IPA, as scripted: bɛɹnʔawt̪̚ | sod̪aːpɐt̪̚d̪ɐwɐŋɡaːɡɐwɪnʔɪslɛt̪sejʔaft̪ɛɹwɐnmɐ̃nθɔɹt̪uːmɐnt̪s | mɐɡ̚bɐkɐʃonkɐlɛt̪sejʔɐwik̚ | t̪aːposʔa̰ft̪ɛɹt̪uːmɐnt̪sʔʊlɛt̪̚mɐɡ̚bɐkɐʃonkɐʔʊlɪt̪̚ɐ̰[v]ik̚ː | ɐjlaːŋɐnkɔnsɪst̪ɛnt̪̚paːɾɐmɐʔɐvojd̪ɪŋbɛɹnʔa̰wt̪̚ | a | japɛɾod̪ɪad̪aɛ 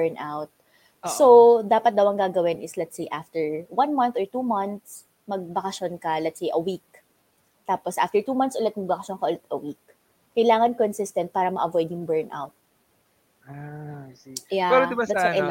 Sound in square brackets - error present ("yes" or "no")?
yes